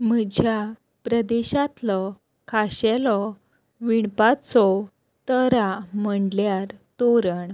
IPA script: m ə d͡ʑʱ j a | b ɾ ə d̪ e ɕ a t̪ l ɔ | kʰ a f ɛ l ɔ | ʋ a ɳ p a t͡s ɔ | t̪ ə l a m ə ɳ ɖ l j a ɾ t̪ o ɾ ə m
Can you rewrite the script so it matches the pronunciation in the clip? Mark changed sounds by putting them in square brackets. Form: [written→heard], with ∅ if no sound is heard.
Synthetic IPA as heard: m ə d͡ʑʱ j a | [b→p] ɾ ə d̪ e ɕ a t̪ l ɔ | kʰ a [f→ɕ] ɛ l ɔ | ʋ [a→i] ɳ p a t͡s ɔ | t̪ ə [l→ɾ] a m ə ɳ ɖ l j a ɾ t̪ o ɾ ə [m→ɳ]